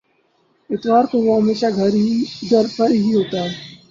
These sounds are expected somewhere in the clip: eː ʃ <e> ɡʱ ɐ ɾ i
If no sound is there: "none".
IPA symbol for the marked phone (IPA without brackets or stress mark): a